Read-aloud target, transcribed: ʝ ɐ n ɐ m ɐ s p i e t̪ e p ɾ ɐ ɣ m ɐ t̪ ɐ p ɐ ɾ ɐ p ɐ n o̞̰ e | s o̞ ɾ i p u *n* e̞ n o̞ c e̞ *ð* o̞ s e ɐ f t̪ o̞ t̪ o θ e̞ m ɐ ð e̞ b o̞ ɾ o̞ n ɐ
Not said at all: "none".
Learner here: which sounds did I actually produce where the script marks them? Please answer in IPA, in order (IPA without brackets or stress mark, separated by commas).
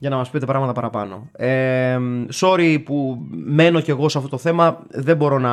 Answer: m, ɣ